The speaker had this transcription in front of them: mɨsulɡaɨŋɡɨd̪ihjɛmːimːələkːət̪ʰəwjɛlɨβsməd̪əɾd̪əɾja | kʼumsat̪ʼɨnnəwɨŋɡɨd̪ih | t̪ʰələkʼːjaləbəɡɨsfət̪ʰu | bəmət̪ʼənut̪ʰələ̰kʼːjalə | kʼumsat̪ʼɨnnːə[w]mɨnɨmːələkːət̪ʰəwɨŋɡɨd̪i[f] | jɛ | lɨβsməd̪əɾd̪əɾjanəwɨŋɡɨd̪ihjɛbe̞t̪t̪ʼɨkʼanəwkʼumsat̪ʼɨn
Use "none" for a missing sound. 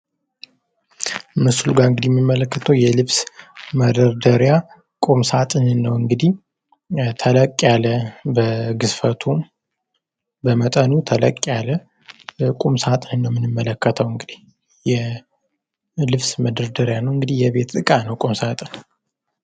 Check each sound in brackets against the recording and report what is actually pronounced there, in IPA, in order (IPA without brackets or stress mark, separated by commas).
w, h